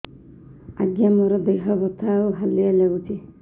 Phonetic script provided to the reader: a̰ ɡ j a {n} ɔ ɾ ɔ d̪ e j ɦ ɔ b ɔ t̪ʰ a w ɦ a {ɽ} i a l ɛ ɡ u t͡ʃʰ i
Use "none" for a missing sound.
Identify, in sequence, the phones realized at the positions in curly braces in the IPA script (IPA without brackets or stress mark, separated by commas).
m, l